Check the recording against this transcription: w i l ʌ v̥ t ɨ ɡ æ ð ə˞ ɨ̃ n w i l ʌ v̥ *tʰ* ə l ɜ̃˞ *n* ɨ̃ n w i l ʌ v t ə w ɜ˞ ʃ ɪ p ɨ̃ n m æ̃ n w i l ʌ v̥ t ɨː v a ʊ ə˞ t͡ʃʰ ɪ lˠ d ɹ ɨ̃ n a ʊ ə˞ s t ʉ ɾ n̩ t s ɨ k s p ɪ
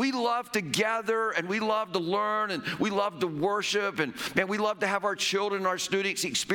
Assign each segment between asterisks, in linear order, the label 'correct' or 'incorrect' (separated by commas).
incorrect, correct